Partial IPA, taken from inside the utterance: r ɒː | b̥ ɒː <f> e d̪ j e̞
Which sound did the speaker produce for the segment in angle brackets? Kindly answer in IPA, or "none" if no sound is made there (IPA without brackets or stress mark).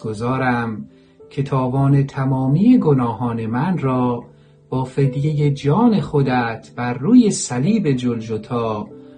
f